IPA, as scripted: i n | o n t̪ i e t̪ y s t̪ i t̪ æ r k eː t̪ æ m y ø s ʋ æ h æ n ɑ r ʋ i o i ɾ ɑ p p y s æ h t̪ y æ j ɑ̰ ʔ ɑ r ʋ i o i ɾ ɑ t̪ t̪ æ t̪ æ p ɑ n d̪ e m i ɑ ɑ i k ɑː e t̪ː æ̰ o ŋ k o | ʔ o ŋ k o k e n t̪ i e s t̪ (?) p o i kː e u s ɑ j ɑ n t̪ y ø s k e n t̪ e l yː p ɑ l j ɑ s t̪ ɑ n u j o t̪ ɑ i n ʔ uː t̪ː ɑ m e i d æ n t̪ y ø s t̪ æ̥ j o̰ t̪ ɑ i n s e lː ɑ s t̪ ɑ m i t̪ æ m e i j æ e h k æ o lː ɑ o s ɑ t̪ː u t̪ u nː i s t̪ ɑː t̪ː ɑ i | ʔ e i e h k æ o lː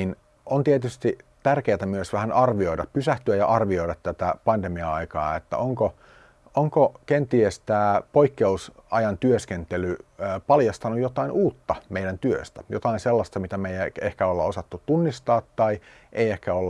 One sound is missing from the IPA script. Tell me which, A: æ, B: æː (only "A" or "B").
B